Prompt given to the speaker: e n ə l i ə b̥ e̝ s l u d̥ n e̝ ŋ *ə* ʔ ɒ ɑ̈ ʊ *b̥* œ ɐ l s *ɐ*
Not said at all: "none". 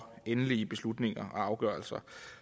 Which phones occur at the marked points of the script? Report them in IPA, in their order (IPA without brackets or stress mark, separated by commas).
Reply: ɐ, ɡ̥, ɐ